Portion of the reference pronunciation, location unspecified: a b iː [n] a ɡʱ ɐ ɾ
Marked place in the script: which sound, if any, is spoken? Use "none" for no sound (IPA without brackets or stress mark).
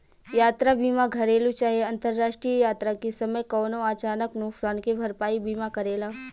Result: m